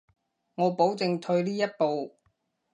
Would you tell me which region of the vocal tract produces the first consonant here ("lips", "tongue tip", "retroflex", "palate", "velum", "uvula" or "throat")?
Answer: velum